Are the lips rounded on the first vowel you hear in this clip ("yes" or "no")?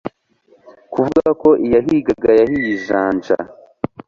yes